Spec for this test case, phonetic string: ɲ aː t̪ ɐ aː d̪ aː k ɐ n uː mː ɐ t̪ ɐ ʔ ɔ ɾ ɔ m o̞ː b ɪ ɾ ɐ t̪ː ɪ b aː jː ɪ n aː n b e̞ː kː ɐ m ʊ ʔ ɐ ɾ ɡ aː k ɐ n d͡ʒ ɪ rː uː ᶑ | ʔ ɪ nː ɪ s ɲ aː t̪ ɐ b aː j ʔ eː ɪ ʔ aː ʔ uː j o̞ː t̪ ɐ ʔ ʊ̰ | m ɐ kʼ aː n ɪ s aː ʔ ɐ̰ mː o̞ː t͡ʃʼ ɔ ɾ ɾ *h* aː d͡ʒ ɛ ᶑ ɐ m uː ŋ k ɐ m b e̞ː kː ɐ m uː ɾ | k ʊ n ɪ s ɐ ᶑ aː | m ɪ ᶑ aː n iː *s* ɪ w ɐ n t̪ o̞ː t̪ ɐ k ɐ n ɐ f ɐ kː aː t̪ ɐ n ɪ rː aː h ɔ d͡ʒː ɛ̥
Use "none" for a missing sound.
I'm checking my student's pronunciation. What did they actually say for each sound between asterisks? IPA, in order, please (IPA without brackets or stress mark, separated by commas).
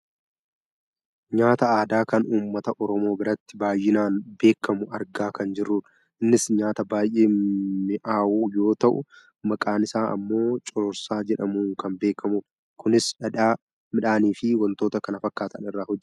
s, f